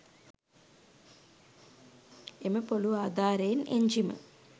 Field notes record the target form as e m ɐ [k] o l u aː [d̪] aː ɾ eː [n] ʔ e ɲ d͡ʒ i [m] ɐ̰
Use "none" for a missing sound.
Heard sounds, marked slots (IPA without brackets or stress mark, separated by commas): p, d̪, n, m